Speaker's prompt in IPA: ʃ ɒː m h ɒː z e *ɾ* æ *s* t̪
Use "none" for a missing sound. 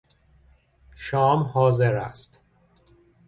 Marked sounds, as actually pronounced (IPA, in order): ɾ, s

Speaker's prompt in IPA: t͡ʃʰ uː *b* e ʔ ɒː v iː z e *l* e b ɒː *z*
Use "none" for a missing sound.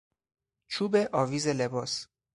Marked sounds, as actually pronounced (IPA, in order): b, l, s

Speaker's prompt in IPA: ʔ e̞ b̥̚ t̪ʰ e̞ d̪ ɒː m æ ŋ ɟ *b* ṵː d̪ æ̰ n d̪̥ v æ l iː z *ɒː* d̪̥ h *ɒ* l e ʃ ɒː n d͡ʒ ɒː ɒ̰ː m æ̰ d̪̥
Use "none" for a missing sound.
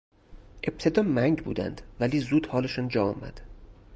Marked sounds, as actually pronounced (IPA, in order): b, uː, ɒː

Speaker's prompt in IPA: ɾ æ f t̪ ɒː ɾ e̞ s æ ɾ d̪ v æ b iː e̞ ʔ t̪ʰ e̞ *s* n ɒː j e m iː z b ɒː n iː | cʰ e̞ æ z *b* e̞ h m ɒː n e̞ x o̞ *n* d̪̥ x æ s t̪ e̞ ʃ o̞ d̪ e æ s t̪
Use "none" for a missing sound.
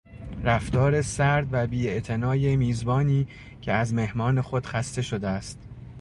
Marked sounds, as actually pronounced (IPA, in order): none, m, none

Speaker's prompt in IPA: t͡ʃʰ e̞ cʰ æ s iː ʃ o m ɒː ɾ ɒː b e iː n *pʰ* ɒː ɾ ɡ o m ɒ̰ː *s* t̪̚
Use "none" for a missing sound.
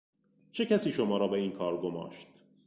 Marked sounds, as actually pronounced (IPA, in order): kʰ, ʃ

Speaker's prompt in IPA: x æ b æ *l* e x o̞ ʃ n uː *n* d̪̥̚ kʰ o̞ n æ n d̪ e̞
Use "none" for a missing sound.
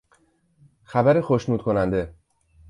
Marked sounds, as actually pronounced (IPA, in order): ɾ, none

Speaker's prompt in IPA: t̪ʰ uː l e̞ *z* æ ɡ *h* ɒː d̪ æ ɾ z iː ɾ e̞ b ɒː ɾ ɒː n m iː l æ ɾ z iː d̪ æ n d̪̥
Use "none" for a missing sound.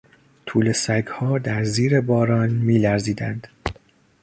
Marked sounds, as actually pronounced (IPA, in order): s, h

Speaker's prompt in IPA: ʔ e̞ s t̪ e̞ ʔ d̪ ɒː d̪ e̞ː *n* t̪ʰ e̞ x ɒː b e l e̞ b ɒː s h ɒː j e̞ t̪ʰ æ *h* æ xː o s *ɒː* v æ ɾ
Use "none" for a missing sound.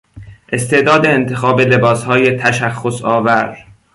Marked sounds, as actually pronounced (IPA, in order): n, ʃ, ɒː

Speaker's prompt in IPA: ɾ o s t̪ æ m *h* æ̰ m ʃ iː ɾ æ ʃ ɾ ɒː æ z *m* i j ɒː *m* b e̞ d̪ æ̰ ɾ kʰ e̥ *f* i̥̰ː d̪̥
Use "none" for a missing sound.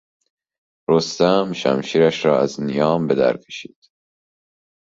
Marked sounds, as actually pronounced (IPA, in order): ʃ, n, m, ʃ

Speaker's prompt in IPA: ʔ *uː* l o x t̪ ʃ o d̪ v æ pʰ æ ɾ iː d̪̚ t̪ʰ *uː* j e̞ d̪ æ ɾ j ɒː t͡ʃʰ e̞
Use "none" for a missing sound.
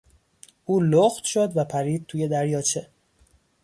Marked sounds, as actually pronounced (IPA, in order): uː, uː

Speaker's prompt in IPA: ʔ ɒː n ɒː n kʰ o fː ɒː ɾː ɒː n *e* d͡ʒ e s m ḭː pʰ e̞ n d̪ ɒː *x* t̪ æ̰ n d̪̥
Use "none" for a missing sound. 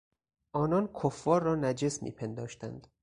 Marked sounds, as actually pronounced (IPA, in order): æ, ʃ

